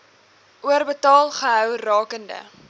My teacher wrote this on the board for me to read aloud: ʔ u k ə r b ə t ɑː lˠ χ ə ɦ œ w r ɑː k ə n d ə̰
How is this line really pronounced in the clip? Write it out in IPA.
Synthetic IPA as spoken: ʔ u ə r b ə t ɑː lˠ χ ə ɦ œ w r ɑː k ə n d ə̰